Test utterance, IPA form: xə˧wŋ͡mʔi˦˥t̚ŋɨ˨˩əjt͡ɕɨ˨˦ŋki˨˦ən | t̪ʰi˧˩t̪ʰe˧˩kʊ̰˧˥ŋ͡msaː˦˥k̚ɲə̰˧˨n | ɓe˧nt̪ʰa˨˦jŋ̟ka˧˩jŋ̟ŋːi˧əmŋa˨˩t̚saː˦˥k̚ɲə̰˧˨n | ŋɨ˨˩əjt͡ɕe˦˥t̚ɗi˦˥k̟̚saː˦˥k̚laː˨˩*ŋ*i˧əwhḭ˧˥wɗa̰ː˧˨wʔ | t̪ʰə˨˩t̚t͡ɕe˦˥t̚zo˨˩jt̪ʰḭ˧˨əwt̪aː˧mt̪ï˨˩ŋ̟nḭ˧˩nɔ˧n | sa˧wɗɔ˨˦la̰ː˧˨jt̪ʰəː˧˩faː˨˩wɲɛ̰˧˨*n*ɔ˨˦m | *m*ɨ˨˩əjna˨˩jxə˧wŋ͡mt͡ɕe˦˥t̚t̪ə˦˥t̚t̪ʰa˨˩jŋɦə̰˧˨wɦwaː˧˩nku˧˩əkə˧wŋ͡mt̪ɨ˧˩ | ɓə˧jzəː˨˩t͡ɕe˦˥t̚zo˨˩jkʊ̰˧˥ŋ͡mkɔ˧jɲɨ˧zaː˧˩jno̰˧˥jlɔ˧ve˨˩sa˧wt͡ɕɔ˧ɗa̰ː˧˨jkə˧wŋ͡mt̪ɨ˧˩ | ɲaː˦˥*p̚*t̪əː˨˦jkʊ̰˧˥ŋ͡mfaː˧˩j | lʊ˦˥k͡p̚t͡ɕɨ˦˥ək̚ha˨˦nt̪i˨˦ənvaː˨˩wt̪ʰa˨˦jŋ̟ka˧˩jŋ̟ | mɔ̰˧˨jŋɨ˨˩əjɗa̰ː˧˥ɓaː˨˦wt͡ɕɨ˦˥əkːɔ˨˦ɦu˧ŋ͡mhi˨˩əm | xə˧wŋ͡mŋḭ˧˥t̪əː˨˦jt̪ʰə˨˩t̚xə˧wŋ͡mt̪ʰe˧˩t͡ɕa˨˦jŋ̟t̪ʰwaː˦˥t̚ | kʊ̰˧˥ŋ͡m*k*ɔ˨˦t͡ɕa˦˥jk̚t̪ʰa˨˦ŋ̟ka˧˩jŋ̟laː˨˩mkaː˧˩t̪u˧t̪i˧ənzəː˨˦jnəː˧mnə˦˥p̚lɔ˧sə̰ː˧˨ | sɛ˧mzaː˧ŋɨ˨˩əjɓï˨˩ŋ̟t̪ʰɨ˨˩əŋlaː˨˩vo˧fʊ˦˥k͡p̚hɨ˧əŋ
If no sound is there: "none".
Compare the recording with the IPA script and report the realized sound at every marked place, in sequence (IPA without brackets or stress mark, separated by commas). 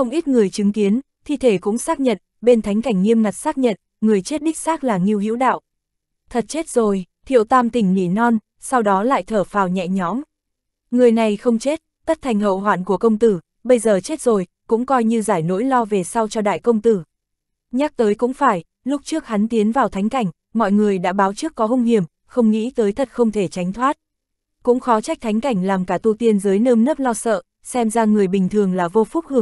ŋ, ɲ, ŋ, k̚, x